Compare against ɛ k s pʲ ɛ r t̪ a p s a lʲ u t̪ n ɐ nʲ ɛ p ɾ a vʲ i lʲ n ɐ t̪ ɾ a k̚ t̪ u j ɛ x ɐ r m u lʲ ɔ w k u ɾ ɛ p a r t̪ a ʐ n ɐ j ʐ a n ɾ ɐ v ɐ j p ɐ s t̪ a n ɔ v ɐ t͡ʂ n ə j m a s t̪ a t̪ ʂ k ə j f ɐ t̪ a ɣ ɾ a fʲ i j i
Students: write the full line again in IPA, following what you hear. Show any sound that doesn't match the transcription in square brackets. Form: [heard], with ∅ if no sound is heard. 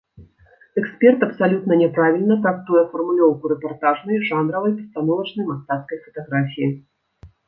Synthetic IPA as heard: ɛ k s pʲ ɛ r t̪ [ɐ] p s a lʲ u t̪ n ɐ nʲ ɛ p ɾ a vʲ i lʲ n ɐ t̪ ɾ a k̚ t̪ u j ɛ [f] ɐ r m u lʲ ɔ w k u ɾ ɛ p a r t̪ a ʐ n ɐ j ʐ a n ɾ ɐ v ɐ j p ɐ s t̪ a n ɔ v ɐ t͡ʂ n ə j m a s t̪ a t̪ [s] k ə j f ɐ t̪ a ɣ ɾ a fʲ i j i